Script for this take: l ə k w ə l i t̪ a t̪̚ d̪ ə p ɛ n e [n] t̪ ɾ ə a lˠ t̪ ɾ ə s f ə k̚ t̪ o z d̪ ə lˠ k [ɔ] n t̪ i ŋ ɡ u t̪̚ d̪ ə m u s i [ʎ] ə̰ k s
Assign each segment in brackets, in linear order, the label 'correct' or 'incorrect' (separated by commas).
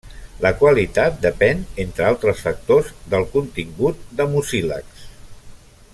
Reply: correct, incorrect, incorrect